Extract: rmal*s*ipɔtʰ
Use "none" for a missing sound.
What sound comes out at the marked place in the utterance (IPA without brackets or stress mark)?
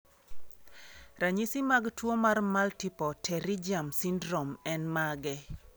t